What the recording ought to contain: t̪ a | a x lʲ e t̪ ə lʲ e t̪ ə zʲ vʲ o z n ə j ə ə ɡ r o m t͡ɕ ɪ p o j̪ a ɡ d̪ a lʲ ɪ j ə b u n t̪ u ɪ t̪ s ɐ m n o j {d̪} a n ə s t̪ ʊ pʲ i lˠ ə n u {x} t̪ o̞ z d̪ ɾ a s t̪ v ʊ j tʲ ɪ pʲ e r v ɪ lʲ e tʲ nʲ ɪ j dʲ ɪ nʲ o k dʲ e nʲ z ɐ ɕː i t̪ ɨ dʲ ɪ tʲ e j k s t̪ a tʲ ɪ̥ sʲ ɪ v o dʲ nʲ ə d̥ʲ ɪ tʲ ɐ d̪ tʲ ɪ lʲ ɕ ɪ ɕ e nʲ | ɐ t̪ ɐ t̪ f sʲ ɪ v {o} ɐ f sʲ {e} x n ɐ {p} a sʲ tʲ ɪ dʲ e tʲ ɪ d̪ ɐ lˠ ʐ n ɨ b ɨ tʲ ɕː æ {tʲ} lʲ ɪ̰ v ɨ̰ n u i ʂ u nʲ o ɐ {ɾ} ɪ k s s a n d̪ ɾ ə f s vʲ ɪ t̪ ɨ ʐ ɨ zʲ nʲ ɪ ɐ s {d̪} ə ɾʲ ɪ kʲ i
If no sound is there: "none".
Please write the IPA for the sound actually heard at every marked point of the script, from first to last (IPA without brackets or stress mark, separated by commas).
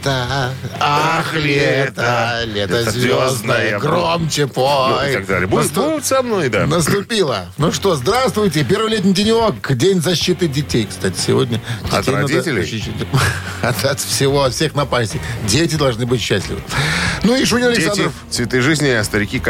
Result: d̪, ʂ, o, e, p, sʲ, l, t̪